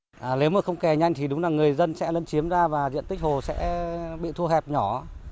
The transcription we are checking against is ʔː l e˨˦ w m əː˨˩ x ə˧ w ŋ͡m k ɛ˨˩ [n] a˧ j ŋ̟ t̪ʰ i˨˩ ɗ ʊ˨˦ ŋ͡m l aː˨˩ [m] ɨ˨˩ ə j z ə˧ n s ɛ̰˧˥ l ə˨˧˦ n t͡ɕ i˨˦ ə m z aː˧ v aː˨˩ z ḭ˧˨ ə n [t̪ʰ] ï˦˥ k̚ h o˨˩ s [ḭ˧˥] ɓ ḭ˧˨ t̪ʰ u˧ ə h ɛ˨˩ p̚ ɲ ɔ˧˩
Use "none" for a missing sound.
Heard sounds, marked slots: ɲ, ŋ, t̪, ɛ̰˧˥

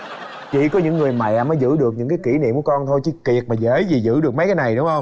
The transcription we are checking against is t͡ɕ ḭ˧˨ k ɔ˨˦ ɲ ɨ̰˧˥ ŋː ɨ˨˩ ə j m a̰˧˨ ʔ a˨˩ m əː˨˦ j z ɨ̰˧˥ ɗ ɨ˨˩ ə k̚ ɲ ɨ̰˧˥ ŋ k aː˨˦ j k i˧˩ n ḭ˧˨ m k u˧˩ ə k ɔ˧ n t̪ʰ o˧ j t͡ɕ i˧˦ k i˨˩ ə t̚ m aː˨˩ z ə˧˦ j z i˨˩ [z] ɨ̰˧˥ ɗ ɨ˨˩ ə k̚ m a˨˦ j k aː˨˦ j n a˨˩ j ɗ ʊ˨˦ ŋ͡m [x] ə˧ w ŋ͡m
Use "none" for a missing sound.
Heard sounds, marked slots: z, h

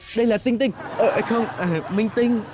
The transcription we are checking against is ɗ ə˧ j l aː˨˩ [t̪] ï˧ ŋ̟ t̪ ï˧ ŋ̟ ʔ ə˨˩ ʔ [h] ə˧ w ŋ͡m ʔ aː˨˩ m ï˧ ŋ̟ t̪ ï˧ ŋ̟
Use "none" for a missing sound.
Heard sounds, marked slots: t̪, x

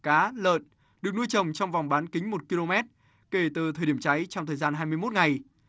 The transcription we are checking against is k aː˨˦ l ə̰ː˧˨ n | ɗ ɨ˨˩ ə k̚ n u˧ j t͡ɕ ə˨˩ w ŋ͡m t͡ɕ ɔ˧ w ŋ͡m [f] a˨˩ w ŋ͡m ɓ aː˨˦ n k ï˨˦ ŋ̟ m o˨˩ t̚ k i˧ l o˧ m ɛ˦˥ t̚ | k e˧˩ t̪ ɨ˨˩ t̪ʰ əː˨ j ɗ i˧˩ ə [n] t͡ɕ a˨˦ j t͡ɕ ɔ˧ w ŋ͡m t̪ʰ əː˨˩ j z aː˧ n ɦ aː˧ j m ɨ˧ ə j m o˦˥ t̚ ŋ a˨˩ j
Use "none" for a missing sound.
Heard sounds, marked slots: v, m

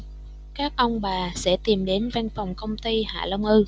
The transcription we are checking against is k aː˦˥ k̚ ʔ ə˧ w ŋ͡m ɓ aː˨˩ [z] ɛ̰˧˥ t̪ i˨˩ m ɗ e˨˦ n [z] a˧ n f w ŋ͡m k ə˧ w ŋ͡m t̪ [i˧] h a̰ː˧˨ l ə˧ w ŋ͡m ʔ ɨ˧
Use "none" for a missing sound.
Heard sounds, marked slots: s, v, i˧

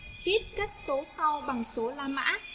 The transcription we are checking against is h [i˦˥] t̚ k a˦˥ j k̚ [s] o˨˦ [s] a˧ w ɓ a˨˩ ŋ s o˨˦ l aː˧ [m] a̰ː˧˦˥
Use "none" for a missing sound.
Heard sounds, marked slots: i˦˥, s, s, m

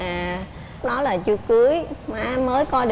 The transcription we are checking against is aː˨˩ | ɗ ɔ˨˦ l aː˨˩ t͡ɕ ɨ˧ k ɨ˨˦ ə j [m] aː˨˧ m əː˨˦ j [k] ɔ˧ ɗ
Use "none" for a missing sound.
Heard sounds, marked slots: m, k

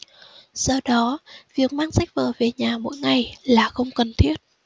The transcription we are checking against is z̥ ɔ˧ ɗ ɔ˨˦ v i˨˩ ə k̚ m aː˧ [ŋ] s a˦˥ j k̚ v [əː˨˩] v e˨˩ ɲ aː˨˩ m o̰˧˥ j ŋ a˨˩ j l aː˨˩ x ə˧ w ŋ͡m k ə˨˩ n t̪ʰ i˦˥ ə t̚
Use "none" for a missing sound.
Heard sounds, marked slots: ŋ, əː˨˩

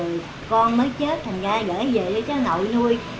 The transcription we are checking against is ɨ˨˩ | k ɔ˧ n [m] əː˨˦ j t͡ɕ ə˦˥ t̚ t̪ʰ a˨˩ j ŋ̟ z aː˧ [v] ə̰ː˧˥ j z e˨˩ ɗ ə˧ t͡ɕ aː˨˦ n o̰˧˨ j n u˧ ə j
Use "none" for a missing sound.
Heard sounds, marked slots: m, ɣ

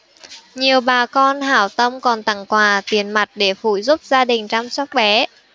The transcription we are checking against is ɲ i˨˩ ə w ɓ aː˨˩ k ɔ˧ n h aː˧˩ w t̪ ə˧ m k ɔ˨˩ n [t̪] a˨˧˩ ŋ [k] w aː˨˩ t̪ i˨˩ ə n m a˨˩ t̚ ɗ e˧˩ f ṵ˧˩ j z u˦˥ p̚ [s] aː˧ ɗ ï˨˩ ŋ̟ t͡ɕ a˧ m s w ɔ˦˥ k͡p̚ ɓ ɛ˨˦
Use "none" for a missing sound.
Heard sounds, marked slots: t̪, k, z

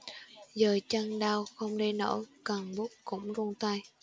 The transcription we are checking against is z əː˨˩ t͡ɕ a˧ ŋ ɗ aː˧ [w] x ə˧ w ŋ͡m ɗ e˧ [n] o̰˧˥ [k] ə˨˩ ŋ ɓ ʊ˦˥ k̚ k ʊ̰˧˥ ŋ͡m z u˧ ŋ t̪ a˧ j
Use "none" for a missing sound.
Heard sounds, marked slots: w, n, k

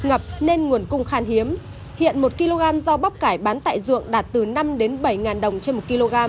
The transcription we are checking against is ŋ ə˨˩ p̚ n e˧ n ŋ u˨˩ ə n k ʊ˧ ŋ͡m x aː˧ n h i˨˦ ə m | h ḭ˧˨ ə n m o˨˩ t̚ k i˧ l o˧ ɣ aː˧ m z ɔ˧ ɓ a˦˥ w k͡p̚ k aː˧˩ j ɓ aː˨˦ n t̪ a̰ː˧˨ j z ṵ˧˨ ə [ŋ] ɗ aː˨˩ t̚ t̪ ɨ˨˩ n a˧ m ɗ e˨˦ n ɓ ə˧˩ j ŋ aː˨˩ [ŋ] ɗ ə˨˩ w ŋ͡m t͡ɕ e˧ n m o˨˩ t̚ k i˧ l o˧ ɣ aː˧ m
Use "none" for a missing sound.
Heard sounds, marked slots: ŋ, n

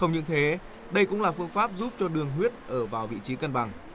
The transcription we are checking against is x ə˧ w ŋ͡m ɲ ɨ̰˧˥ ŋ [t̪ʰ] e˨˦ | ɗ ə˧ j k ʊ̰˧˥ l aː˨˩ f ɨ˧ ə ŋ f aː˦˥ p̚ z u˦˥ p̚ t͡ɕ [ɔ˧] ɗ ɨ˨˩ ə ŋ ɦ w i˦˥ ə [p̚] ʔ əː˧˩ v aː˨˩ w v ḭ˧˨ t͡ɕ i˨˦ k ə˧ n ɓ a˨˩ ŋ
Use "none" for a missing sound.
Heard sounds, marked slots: t̪ʰ, ɔ˧, t̚

